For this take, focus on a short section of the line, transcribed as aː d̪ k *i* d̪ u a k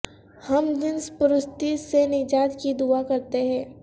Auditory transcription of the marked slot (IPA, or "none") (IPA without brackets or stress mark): i